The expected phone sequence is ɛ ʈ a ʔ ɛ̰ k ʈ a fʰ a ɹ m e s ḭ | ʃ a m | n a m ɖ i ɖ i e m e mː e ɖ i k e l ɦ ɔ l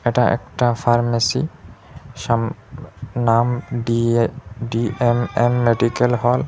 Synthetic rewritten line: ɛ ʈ a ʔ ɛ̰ k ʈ a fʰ a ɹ m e s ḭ | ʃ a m | n a m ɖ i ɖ i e m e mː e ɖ i k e l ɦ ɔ l